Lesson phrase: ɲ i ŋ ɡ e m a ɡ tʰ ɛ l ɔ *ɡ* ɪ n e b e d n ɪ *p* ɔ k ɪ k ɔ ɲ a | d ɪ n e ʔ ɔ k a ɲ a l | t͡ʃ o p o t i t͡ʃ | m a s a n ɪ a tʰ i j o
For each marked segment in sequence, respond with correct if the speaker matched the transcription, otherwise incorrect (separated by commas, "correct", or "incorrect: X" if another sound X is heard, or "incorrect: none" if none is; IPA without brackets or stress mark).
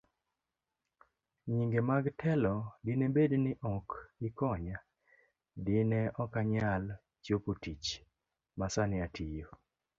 incorrect: d, incorrect: ʔ